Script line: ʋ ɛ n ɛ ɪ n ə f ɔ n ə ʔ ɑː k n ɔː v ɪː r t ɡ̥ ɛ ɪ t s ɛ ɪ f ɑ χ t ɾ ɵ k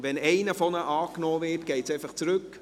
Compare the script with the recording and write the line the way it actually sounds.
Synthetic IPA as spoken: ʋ ɛ n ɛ ɪ n ə f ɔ n ə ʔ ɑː k n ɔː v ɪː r t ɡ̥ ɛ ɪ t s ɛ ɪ f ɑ χ t͡s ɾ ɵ k